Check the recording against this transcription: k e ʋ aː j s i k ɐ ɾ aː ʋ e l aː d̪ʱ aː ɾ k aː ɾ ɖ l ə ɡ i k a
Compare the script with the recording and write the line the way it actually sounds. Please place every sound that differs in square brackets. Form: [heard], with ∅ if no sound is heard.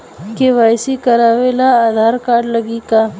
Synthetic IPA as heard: k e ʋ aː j s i k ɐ ɾ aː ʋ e l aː d̪ʱ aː ɾ k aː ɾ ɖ l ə ɡ i k a